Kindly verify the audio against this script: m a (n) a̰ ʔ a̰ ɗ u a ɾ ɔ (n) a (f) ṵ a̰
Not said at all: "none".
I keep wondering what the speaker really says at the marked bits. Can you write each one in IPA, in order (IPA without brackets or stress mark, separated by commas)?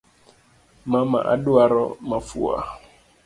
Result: m, m, f